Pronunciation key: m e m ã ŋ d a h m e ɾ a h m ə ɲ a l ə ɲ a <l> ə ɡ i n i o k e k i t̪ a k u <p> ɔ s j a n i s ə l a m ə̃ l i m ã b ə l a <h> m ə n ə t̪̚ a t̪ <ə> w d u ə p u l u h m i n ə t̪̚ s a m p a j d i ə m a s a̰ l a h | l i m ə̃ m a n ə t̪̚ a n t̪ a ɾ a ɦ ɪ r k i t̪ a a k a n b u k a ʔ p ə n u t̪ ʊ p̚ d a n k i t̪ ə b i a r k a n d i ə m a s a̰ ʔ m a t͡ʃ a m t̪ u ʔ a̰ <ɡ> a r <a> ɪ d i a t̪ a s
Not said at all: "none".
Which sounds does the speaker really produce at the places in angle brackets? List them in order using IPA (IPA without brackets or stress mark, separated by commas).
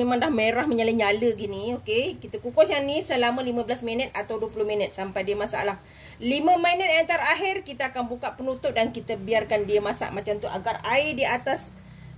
l, k, s, a, ɡ, a